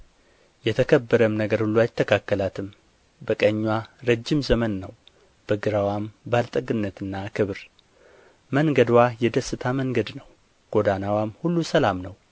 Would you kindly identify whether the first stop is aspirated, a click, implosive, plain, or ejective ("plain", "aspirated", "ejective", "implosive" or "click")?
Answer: aspirated